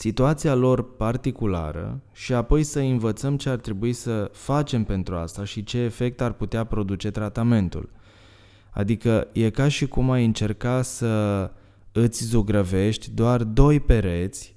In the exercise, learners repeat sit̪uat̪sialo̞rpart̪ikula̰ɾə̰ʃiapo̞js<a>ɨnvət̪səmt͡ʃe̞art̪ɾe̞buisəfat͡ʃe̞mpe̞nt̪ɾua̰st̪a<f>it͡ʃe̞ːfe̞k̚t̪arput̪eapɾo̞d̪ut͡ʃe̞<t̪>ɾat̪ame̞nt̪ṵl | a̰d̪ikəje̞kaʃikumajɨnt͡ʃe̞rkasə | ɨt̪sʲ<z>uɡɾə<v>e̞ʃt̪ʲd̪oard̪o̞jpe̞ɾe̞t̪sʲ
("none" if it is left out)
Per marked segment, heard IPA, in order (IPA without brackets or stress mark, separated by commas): ə, ʃ, t̪, z, v